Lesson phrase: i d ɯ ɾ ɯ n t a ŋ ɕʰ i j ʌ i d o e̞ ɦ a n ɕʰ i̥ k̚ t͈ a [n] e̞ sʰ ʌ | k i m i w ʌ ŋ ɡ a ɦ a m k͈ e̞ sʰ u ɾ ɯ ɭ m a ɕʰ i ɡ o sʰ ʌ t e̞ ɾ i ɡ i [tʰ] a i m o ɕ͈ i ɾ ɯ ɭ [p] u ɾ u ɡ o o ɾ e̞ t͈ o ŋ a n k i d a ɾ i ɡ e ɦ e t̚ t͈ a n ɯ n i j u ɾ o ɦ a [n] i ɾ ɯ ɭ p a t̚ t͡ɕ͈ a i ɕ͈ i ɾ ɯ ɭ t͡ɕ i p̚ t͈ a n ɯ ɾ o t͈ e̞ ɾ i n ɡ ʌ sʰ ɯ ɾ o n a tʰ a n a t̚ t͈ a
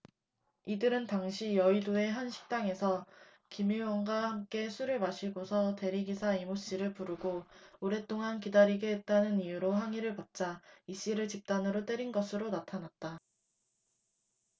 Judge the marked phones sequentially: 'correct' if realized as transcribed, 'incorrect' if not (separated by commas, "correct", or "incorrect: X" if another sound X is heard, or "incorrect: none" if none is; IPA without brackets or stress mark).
incorrect: ŋ, incorrect: sʰ, correct, incorrect: ŋ